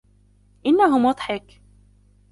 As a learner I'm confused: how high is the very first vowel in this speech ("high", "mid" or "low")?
high